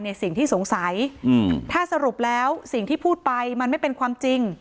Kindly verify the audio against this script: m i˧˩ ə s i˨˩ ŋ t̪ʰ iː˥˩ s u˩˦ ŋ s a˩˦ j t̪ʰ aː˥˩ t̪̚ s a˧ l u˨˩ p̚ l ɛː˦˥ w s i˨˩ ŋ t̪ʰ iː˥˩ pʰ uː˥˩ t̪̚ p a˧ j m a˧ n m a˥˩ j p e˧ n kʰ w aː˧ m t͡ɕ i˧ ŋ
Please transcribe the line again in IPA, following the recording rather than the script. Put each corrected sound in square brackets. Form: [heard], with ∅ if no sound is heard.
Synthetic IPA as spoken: [n] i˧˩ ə s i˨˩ ŋ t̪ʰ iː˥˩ s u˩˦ ŋ s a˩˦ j t̪ʰ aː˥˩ [∅] s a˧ [ɾ] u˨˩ p̚ l ɛː˦˥ w s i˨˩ ŋ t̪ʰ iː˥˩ pʰ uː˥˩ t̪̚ p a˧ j m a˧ n m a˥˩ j p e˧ n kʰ w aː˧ m t͡ɕ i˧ ŋ